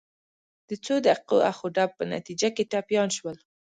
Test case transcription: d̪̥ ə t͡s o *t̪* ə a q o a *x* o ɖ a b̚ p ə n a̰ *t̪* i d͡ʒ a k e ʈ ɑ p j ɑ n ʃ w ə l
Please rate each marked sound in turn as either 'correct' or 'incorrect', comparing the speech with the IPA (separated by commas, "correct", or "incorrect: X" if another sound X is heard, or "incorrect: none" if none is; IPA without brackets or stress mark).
incorrect: d̪, correct, correct